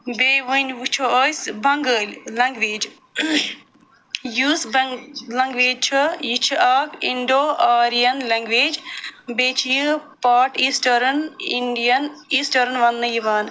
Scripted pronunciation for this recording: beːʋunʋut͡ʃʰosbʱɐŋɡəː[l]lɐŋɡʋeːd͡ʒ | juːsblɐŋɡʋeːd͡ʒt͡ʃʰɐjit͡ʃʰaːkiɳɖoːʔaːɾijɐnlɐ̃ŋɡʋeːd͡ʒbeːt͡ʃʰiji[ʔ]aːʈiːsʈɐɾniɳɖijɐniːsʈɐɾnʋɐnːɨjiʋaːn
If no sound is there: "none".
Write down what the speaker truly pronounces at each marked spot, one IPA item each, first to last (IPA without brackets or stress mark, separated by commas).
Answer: l, p